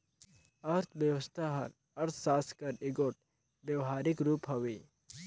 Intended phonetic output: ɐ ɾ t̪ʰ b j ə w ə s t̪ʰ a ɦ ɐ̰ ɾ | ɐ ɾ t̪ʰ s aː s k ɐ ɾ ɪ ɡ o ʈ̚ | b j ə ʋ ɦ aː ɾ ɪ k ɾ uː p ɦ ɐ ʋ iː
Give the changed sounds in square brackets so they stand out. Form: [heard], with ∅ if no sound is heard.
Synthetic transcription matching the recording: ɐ ɾ t̪ʰ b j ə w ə s t̪ʰ a ɦ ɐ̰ ɾ | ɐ ɾ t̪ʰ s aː s k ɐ ɾ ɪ ɡ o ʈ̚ | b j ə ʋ ɦ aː ɾ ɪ k ɾ uː p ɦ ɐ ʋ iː